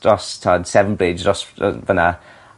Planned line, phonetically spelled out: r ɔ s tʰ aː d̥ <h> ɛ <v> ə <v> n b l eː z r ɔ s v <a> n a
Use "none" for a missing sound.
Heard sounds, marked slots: s, v, none, ə

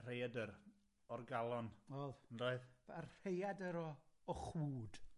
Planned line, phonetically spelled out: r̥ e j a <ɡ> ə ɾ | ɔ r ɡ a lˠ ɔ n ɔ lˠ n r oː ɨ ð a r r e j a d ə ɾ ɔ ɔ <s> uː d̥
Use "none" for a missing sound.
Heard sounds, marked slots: d, χ

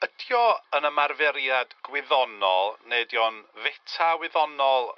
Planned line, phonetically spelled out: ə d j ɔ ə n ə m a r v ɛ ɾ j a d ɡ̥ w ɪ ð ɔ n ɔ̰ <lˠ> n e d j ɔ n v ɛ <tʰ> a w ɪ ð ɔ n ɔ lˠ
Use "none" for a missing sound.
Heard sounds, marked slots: lˠ, tʰ

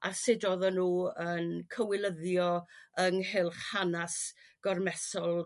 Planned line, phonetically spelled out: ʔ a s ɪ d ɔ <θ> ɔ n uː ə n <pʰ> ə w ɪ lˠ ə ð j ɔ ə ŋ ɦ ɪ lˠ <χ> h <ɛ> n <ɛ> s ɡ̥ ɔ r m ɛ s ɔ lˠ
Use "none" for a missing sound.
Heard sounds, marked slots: ð, kʰ, χ, a, a

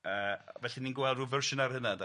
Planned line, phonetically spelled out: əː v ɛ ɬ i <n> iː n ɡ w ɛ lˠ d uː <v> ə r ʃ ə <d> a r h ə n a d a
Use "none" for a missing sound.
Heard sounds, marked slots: n, v, n

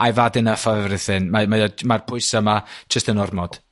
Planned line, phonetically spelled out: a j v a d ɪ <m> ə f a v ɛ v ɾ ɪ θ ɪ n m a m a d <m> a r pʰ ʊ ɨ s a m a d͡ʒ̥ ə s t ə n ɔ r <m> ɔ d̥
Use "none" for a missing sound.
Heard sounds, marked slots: n, m, m

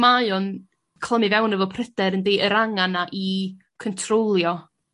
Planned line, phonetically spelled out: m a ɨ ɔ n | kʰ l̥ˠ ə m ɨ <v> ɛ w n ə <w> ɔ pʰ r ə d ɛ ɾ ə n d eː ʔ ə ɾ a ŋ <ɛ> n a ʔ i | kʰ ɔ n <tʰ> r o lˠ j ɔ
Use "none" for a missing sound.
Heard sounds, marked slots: v, v, a, tʰ

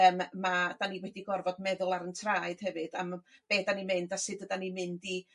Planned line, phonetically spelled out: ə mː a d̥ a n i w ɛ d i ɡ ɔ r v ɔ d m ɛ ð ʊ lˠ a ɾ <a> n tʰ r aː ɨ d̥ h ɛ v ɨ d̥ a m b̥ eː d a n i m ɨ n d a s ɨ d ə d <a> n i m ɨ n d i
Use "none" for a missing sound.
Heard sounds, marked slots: ə, a

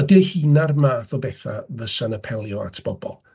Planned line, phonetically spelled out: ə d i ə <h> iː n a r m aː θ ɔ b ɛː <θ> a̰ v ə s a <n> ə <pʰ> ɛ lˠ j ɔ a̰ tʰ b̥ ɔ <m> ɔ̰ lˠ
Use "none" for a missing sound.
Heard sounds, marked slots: h, θ, n, pʰ, b

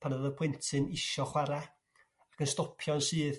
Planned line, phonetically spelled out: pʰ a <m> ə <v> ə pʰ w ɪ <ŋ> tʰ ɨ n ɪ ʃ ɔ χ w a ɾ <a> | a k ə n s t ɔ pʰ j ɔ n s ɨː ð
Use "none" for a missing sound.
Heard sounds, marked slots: n, ð, n, a

